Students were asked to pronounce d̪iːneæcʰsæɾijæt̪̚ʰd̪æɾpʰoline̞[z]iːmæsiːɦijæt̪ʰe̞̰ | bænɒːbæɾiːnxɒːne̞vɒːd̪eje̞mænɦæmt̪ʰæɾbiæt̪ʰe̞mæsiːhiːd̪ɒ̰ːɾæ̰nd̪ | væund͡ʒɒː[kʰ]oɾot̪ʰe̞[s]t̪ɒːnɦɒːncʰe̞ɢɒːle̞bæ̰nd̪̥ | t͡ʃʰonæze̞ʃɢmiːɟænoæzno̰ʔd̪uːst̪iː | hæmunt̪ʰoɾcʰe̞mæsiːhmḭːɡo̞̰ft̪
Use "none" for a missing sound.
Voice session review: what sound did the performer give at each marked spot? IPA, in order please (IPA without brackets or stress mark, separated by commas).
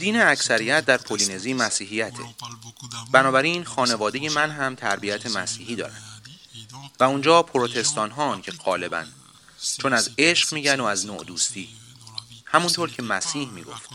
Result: z, pʰ, s